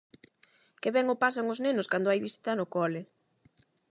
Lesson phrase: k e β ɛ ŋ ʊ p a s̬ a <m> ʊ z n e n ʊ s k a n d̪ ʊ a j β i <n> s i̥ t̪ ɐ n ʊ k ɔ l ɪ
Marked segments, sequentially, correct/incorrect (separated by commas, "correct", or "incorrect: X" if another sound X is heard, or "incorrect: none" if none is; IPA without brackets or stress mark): incorrect: ŋ, incorrect: none